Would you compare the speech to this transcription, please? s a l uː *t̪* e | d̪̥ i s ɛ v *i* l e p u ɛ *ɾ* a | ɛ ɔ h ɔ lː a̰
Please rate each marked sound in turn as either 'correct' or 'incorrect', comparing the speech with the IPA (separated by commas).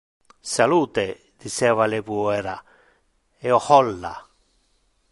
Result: correct, incorrect, correct